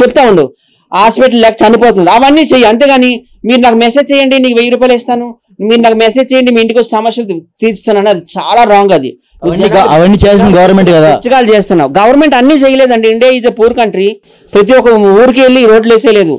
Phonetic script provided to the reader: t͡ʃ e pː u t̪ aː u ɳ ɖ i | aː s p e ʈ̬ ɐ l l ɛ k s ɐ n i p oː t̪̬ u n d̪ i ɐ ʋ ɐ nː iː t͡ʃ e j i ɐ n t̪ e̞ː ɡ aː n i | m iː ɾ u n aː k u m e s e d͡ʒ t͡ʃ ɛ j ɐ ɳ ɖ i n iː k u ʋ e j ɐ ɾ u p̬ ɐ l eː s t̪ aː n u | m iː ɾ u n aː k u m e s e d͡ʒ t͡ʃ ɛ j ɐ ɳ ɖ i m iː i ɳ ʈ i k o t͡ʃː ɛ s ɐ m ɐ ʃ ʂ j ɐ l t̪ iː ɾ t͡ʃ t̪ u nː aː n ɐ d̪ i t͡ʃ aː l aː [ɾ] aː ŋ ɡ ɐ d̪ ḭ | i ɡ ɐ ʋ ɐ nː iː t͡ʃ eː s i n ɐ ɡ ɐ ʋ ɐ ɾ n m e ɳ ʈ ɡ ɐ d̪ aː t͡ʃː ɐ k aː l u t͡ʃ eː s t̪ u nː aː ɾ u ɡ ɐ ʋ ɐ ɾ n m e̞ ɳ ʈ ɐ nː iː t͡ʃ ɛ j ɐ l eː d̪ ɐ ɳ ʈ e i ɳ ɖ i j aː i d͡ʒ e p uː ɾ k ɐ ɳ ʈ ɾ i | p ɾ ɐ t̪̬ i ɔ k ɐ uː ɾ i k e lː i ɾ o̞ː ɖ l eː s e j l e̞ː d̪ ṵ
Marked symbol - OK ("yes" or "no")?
yes